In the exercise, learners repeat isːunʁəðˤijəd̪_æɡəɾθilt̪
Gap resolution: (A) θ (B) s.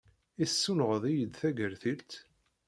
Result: A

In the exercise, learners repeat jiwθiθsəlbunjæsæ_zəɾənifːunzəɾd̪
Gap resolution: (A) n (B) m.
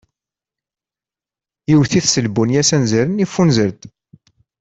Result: A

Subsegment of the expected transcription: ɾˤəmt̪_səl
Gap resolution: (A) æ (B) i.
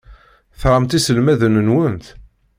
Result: B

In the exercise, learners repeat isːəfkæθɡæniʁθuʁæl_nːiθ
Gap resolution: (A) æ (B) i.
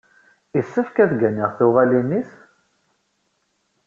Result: B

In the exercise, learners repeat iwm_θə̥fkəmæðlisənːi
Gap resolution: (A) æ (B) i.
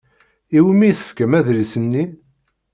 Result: B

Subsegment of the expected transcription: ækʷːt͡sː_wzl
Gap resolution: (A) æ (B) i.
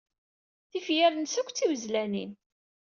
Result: B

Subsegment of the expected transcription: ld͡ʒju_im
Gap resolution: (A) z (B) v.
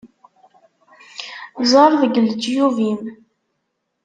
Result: B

